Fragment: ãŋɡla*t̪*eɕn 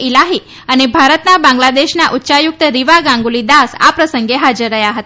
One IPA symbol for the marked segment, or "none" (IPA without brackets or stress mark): d̪